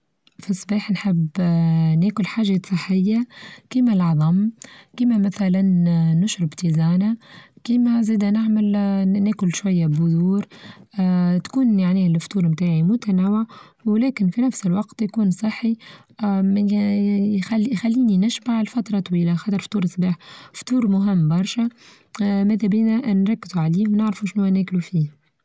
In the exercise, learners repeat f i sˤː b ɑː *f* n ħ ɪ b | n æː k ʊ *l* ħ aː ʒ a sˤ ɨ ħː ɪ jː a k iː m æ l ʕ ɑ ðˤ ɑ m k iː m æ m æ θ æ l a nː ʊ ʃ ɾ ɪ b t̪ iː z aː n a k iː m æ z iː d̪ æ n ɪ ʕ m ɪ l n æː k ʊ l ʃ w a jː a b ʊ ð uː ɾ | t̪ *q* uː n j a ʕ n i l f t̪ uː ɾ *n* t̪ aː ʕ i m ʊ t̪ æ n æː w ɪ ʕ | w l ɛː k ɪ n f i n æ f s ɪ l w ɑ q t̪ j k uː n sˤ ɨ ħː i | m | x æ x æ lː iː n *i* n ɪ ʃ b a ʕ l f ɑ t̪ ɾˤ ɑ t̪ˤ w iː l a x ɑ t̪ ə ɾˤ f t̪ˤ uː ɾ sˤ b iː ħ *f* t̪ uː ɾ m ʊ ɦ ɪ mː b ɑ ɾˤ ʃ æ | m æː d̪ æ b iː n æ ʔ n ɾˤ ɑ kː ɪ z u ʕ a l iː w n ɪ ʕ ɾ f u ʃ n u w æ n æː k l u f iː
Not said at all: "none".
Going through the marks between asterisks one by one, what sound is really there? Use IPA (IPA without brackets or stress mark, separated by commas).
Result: ħ, l, k, m, i, f